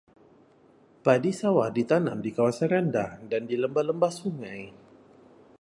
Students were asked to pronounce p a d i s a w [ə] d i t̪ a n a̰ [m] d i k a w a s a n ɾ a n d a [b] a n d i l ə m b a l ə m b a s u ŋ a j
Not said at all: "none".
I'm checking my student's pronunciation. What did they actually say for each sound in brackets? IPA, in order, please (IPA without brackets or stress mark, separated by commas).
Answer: a, m, d